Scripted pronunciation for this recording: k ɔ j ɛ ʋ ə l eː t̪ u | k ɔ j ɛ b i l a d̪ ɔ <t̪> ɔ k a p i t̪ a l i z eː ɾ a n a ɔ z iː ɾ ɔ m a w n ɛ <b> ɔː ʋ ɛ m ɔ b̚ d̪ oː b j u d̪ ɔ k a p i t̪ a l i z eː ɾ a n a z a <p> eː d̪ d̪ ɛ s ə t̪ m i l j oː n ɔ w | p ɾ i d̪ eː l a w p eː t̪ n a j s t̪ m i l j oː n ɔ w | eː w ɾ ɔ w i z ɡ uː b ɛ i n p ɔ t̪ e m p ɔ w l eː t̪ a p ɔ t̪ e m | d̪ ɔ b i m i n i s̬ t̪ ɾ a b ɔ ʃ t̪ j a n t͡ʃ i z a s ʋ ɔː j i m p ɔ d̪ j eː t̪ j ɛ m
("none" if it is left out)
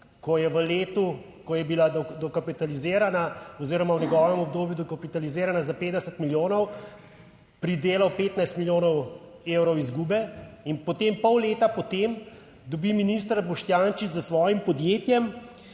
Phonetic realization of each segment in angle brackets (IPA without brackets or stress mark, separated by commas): d̪, ɡ, p